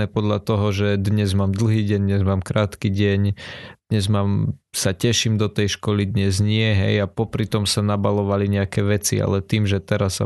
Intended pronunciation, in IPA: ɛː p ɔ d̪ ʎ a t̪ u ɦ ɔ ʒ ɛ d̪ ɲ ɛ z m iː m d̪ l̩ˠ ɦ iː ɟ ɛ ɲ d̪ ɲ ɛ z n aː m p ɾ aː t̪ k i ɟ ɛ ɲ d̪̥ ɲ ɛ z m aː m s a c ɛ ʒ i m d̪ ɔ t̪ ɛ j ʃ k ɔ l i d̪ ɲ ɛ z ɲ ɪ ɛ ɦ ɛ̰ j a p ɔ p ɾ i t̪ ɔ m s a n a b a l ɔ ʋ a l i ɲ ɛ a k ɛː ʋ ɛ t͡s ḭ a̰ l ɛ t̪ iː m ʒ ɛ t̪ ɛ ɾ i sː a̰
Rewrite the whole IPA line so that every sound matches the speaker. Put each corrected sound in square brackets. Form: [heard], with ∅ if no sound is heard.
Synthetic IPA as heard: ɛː p ɔ d̪ ʎ a t̪ [ɔ] ɦ ɔ ʒ ɛ d̪ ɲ ɛ z m [aː] m d̪ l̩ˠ ɦ iː ɟ ɛ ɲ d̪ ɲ ɛ z [m] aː m [k] ɾ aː t̪ k i ɟ ɛ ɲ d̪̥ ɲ ɛ z m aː m s a c ɛ [ʃ] i m d̪ ɔ t̪ ɛ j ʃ k ɔ l i d̪ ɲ ɛ z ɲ ɪ ɛ ɦ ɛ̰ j a p ɔ p ɾ i t̪ ɔ m s a n a b a l ɔ ʋ a l i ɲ ɛ a k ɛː ʋ ɛ t͡s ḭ a̰ l ɛ t̪ iː m ʒ ɛ t̪ ɛ ɾ [a] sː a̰